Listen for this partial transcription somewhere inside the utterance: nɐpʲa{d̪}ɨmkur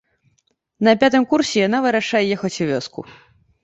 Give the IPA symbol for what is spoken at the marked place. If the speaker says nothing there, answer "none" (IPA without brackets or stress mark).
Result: t̪